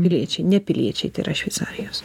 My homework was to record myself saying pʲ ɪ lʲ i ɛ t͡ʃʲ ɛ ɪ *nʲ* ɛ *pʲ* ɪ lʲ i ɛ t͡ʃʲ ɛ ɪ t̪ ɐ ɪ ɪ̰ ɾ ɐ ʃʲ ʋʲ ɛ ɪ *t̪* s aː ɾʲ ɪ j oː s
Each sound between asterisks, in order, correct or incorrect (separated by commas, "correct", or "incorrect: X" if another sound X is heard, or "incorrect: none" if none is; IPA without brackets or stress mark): correct, correct, correct